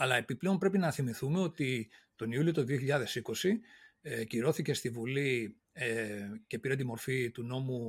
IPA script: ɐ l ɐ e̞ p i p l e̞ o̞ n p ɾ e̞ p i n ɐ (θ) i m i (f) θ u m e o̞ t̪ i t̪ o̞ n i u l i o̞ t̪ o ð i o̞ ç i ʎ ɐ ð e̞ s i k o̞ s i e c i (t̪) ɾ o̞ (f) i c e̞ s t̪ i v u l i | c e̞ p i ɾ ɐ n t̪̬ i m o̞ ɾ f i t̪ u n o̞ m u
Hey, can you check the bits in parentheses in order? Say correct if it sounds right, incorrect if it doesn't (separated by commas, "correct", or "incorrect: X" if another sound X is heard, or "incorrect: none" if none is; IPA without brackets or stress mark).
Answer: correct, incorrect: none, incorrect: none, incorrect: θ